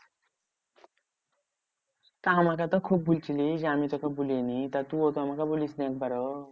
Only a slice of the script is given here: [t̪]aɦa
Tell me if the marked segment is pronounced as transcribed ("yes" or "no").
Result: yes